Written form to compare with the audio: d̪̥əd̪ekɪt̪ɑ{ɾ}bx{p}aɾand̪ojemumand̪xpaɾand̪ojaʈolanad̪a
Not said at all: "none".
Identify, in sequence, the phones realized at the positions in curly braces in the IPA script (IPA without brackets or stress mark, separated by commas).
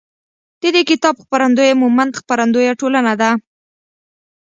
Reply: none, p